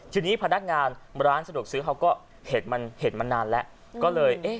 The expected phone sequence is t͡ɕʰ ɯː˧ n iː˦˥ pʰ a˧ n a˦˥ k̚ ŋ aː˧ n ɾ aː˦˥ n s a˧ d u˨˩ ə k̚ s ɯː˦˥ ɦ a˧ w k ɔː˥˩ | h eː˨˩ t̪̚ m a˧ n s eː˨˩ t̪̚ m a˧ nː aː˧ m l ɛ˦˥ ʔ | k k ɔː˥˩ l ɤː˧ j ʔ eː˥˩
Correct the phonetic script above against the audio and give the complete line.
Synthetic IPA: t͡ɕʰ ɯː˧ n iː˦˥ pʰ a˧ n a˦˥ k̚ ŋ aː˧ n ɾ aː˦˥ n s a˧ d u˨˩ ə k̚ s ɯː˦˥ ɦ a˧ w k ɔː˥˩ | h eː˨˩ t̪̚ m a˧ n h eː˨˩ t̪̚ m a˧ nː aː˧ n l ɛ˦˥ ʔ | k k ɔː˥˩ l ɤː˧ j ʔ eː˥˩